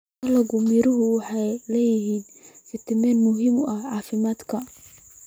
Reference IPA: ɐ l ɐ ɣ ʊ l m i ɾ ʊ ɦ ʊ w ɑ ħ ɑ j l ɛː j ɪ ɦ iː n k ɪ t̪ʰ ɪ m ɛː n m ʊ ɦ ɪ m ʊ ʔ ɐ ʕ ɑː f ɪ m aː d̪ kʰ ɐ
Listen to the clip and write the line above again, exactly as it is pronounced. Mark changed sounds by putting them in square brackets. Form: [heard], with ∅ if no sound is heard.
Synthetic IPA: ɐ l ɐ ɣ ʊ [∅] m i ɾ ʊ ɦ ʊ w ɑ ħ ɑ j l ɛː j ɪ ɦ iː n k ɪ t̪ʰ ɪ m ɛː n m ʊ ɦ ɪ m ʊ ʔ ɐ ʕ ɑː f ɪ m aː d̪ kʰ ɐ